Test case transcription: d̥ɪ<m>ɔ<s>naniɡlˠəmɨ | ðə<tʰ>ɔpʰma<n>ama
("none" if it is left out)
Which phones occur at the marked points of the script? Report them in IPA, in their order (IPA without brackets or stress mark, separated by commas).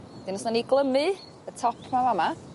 n, s, tʰ, m